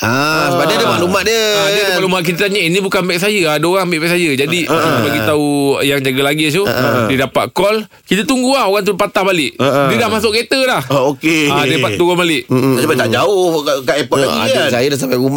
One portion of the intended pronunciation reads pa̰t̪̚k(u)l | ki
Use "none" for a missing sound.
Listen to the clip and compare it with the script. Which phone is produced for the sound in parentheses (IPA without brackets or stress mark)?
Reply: ɔ